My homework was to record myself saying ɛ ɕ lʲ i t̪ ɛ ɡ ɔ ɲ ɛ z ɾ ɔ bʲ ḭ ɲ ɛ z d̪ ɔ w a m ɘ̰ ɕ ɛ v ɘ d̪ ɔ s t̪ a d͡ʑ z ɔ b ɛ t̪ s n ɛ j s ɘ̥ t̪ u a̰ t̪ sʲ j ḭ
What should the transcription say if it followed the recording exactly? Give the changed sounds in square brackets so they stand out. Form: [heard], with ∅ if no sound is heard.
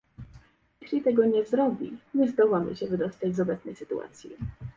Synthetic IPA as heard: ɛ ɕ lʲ i t̪ ɛ ɡ ɔ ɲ ɛ z ɾ ɔ bʲ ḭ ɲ ɛ z d̪ ɔ w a m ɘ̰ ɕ ɛ v ɘ d̪ ɔ s t̪ a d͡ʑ z ɔ b ɛ t̪ s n ɛ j s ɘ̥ t̪ u a̰ t̪ sʲ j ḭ